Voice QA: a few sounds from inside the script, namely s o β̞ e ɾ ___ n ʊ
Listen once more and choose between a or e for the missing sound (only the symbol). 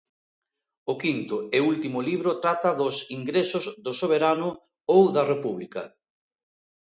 a